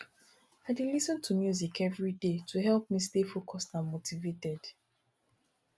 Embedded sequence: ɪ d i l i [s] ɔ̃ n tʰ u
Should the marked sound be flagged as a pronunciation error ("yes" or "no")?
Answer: no